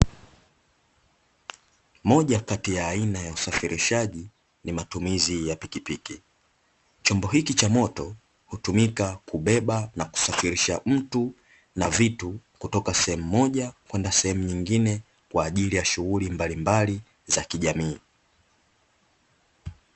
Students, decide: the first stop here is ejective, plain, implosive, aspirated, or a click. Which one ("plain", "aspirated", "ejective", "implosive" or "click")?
implosive